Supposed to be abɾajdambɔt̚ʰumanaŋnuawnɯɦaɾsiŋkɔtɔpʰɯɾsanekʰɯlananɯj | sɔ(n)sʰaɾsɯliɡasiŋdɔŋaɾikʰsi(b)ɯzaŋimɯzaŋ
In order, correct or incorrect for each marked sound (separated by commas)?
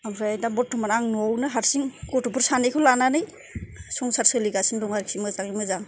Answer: incorrect, incorrect